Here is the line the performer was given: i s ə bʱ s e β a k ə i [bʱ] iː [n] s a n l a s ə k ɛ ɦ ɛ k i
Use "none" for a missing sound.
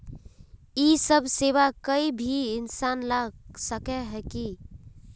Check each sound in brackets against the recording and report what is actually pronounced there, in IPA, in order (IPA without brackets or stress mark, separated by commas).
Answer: bʱ, n